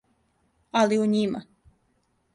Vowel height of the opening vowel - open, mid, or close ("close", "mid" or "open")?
open